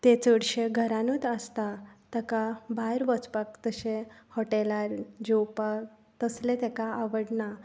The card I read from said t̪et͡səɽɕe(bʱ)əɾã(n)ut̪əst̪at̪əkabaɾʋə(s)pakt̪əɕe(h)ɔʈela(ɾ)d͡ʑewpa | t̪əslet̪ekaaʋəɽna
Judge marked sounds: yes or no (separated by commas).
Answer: no, yes, no, yes, yes